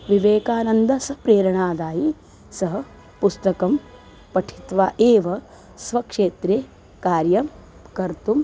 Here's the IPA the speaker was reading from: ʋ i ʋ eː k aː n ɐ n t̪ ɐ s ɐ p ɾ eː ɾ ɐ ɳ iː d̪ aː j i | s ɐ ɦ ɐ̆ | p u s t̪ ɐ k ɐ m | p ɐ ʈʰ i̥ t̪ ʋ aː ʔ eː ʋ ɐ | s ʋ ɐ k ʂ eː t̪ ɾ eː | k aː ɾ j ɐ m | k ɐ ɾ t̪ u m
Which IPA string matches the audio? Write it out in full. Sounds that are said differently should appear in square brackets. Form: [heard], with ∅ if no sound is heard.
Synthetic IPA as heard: ʋ i ʋ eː k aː n ɐ n [d̪] ɐ s ɐ p ɾ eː ɾ ɐ ɳ [aː] d̪ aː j i | s ɐ ɦ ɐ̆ | p u s t̪ ɐ k ɐ m | p ɐ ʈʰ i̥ t̪ ʋ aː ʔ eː ʋ ɐ | s ʋ ɐ k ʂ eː t̪ ɾ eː | k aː ɾ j ɐ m | k ɐ ɾ t̪ u m